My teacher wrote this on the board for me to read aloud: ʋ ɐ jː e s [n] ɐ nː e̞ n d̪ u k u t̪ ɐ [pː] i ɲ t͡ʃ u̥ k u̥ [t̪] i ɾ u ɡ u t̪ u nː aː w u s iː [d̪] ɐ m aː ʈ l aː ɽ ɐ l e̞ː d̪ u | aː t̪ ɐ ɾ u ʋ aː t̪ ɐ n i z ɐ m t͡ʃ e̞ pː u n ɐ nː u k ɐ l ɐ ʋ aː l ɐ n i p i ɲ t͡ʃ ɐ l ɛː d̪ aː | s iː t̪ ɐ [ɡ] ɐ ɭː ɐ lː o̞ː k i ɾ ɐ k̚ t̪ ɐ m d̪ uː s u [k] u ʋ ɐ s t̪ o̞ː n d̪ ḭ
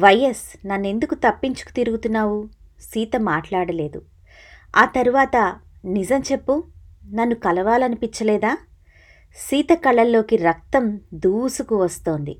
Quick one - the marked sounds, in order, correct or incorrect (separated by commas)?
correct, correct, correct, incorrect, incorrect, correct